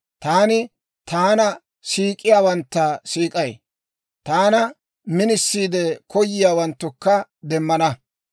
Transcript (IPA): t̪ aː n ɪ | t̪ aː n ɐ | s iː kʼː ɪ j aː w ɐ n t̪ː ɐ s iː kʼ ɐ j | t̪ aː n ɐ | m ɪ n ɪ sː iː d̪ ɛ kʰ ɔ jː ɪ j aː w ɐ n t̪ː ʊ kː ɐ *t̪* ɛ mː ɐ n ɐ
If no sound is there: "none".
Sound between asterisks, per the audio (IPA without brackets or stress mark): d̪